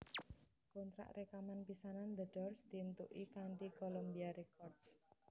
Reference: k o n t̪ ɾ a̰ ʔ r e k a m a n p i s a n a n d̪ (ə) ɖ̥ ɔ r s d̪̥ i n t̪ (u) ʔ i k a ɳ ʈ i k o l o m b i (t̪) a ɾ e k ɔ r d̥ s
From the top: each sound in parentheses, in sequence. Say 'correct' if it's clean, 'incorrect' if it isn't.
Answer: correct, correct, incorrect

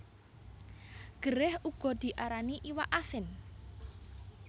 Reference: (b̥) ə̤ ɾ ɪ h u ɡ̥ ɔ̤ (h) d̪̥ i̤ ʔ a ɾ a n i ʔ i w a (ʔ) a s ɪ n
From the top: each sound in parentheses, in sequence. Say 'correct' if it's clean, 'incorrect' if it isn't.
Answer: incorrect, incorrect, correct

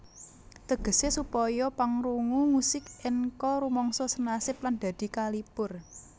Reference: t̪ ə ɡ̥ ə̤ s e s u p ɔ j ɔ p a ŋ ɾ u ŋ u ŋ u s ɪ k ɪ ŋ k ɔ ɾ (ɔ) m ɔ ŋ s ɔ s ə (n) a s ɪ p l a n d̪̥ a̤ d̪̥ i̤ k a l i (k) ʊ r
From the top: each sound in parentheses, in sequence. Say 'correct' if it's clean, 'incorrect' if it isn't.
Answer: incorrect, correct, incorrect

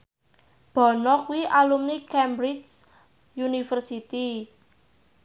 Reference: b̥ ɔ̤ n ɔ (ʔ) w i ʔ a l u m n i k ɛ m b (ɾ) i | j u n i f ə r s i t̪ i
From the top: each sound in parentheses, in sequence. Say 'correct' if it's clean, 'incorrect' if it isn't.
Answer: incorrect, correct

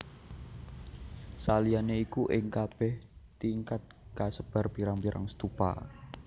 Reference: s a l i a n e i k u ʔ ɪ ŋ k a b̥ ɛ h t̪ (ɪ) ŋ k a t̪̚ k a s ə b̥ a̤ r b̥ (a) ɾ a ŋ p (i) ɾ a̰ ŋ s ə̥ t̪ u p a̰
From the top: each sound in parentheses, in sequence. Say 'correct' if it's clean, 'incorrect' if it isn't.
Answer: incorrect, incorrect, correct

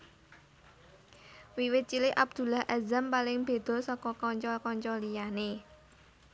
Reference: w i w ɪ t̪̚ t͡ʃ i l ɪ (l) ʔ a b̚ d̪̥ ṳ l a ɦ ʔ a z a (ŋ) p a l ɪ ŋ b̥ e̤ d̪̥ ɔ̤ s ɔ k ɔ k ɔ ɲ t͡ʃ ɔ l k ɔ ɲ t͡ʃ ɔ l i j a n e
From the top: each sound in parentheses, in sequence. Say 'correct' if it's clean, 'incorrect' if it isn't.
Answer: incorrect, incorrect

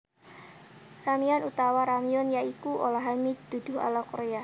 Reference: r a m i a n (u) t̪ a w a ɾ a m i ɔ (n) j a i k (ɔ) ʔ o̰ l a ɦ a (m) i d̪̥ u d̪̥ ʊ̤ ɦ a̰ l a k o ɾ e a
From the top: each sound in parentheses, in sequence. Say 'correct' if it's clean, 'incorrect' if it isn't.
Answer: correct, correct, incorrect, correct

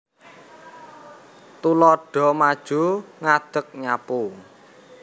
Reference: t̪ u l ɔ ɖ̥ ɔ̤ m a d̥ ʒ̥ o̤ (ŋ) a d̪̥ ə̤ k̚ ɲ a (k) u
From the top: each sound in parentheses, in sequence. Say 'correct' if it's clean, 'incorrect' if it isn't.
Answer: correct, incorrect

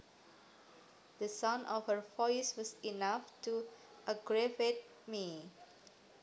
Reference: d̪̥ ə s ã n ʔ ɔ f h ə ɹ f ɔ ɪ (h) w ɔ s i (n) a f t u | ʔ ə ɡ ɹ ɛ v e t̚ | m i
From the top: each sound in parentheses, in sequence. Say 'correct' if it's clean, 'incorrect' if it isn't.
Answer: incorrect, correct

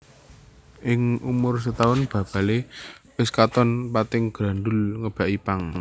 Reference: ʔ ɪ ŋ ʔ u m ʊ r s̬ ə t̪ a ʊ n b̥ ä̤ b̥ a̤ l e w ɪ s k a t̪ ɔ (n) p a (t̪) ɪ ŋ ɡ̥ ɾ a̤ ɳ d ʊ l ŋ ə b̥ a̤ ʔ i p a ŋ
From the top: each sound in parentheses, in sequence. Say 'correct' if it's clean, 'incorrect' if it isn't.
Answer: correct, correct

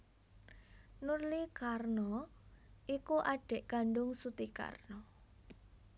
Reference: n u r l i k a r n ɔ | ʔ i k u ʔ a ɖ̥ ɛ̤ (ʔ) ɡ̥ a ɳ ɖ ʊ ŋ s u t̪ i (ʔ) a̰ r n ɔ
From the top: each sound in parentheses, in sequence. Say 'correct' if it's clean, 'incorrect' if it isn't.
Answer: correct, incorrect

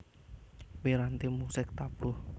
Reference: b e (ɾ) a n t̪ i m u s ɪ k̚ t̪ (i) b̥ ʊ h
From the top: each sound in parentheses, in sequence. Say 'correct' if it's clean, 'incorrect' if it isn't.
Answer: correct, incorrect

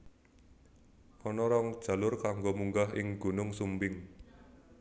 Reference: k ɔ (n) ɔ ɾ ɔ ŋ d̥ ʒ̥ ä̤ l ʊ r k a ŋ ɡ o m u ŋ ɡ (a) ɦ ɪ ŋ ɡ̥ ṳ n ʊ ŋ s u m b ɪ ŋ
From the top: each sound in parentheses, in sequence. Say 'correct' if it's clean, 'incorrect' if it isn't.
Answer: correct, correct

